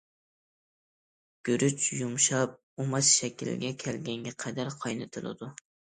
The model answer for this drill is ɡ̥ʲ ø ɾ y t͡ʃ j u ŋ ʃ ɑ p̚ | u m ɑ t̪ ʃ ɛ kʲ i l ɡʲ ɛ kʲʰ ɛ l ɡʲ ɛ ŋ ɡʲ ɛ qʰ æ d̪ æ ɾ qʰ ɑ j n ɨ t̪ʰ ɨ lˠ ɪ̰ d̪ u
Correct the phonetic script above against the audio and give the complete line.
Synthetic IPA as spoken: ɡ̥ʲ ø ɾ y t͡ʃ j u m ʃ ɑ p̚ | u m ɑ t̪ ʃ ɛ kʲ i l ɡʲ ɛ kʲʰ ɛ l ɡʲ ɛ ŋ ɡʲ ɛ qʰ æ d̪ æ ɾ qʰ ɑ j n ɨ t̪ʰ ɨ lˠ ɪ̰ d̪ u